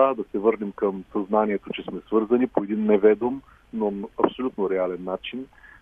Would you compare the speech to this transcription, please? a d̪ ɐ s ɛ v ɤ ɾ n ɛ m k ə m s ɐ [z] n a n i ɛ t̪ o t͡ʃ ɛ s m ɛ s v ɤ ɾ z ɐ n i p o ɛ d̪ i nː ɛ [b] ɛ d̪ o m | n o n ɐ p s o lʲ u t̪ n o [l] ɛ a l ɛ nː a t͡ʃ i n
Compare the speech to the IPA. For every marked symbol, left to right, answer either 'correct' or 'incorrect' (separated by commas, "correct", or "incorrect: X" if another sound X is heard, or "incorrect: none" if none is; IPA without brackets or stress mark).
correct, incorrect: v, incorrect: ɾ